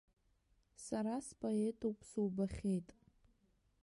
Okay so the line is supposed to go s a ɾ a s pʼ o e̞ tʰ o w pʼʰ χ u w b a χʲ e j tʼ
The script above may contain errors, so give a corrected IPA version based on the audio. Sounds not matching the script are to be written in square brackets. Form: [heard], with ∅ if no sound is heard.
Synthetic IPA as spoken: s a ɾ a s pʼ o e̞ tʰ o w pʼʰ [s] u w b a χʲ e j tʼ